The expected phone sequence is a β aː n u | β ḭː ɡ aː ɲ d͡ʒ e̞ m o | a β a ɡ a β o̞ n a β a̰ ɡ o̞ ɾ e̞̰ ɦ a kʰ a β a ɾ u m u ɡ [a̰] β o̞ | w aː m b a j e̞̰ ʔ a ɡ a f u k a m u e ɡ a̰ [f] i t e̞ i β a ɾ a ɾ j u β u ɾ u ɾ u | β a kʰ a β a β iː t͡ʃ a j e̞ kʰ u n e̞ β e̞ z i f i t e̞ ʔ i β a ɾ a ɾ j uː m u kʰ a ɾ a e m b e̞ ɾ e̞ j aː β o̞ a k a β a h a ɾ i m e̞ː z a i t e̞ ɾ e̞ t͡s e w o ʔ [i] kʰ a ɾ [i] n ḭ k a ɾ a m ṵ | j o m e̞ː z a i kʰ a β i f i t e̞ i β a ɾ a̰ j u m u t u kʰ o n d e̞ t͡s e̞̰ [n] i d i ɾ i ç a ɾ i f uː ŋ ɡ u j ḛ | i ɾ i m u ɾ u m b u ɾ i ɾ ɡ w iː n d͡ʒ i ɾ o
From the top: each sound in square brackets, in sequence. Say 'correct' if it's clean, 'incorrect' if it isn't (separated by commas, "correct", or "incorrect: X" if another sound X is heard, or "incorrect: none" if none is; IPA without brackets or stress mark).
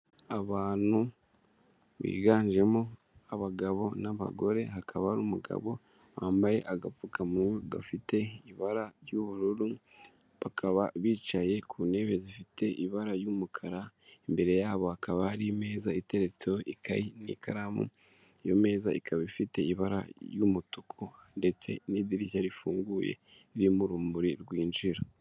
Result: correct, correct, correct, correct, correct